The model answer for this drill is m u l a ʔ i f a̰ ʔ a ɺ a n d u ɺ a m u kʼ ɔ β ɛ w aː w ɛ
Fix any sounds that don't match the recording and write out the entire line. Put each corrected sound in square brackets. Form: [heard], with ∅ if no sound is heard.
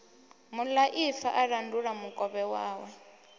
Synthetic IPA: m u l a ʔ i f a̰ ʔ a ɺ a n d u ɺ a m u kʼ ɔ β ɛ w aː w ɛ